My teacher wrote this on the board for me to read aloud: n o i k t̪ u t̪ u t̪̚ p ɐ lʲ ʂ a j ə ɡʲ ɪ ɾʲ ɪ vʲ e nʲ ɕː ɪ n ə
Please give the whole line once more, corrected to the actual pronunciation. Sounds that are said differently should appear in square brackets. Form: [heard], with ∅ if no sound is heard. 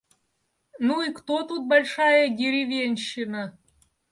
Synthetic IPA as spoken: n [u] i k t̪ [o] t̪ u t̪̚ [b] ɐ lʲ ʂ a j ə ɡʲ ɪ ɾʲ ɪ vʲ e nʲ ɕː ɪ n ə